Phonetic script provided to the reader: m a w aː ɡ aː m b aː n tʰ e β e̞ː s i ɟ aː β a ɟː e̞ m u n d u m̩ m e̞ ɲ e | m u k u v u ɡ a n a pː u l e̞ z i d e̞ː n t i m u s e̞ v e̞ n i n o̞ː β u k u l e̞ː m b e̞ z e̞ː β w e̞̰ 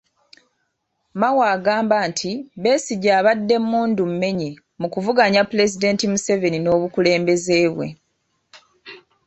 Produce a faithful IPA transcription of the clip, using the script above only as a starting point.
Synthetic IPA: m a w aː ɡ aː m b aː n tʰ i β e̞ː s i ɟ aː β a dː e̞ m uː n d u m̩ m e̞ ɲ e | m u k u v u ɡ a ɲ a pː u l e̞ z i d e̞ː n t i m u s e̞ v e̞ n i n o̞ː β u k u l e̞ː m b e̞ z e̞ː β w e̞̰